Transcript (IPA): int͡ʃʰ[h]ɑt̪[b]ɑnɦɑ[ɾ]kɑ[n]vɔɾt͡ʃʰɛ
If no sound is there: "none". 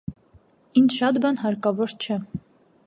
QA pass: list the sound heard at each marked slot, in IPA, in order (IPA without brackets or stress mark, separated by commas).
ʃ, b, ɾ, none